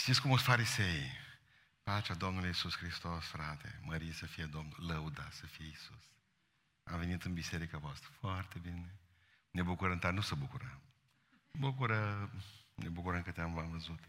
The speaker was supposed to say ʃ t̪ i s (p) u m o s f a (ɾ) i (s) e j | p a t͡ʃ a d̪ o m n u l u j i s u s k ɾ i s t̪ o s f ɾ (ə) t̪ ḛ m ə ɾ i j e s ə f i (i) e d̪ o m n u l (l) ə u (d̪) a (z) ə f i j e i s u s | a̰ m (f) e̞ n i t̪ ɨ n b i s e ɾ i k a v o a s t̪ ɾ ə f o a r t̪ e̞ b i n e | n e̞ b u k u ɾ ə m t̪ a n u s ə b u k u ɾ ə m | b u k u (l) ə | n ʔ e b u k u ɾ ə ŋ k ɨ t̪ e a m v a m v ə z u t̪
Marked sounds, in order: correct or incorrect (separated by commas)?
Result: incorrect, correct, correct, incorrect, incorrect, correct, correct, incorrect, incorrect, incorrect